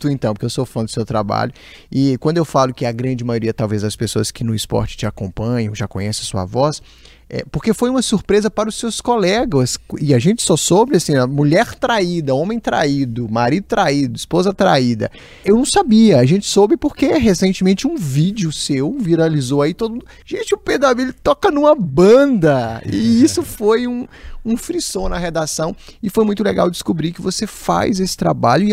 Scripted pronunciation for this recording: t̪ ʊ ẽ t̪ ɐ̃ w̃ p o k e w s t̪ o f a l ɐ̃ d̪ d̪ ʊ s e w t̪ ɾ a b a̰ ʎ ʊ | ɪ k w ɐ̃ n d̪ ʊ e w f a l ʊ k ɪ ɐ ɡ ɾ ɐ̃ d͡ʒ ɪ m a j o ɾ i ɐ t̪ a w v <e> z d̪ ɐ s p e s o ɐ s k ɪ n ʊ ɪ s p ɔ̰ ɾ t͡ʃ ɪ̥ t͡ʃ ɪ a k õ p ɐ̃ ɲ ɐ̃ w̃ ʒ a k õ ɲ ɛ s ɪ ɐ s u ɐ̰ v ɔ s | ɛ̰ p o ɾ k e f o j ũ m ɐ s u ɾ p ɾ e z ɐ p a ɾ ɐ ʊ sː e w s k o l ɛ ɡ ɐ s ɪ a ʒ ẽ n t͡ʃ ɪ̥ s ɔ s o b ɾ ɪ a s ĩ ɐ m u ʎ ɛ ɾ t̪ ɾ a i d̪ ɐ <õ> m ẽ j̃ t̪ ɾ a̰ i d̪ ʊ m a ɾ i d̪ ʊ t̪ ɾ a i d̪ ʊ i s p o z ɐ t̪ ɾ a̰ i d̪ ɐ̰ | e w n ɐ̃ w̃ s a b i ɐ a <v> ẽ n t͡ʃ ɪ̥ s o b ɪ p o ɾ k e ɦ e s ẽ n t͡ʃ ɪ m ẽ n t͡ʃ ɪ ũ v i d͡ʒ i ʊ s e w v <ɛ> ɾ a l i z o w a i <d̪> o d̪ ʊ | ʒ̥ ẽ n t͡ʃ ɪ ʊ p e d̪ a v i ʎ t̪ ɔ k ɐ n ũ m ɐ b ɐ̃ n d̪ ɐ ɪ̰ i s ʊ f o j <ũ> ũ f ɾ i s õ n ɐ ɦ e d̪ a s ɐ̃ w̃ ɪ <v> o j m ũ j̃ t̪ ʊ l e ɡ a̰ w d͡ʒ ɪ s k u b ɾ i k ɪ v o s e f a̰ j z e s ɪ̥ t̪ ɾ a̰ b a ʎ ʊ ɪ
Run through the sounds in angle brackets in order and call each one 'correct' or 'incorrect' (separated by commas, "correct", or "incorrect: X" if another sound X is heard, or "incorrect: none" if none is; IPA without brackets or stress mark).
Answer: correct, correct, incorrect: ʒ, incorrect: i, incorrect: t̪, correct, incorrect: f